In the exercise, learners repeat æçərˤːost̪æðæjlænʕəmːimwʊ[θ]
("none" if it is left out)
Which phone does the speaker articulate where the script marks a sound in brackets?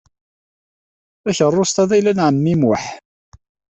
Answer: ħ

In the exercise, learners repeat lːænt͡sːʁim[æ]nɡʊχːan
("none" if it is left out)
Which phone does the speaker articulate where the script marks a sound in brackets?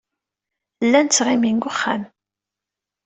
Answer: i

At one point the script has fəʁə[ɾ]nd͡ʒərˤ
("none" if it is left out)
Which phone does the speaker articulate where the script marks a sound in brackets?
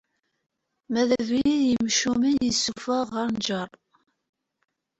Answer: ɾ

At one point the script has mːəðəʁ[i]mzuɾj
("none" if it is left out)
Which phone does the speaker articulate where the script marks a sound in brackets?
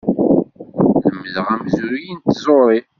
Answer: æ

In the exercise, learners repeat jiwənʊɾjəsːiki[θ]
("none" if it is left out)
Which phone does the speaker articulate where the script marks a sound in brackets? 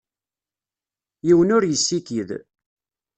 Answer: ð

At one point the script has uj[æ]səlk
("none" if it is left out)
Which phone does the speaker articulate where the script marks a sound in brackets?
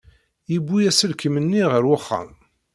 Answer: æ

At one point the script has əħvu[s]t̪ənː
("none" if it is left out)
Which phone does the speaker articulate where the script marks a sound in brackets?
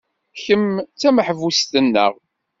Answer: s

